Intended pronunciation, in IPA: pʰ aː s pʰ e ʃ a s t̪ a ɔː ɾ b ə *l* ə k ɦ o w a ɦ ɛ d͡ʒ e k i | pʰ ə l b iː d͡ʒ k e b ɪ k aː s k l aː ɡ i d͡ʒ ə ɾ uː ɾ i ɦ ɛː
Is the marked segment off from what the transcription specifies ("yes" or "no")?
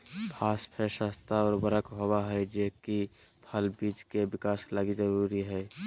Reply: yes